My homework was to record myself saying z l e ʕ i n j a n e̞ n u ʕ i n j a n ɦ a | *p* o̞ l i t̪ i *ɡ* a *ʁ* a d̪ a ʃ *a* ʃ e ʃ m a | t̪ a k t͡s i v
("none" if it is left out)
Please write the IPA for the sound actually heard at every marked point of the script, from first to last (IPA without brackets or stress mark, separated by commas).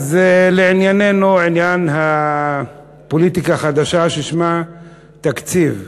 p, k, χ, a